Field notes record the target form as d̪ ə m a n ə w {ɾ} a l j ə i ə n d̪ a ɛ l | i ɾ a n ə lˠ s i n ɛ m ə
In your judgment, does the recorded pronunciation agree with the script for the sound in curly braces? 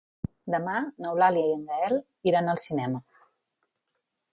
no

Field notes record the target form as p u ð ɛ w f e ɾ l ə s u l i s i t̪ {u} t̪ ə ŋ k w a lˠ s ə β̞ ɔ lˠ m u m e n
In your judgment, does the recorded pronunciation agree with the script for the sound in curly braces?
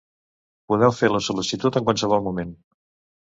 yes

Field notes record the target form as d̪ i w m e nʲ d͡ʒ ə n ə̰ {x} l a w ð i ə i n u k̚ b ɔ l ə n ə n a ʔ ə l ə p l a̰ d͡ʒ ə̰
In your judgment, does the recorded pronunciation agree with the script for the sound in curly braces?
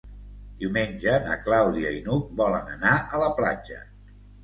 no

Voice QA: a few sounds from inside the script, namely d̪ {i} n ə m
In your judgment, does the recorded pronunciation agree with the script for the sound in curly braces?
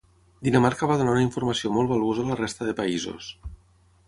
yes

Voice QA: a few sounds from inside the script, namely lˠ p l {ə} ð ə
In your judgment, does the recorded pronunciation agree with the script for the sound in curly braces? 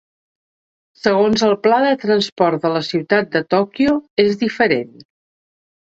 no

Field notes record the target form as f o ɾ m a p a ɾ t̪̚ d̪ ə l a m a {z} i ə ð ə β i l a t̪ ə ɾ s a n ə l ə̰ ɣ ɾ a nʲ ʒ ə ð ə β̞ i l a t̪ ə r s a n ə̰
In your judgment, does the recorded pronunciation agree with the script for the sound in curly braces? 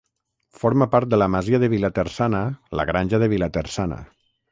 yes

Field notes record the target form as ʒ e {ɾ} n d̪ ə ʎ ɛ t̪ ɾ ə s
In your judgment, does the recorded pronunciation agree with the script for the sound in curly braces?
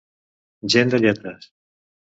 no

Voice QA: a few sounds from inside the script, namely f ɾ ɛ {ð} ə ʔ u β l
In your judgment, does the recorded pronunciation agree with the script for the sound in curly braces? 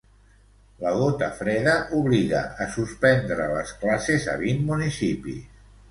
yes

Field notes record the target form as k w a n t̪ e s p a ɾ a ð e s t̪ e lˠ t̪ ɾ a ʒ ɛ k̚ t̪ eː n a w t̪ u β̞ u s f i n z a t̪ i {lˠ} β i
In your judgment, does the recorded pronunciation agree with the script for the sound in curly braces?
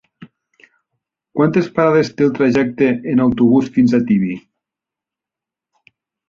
no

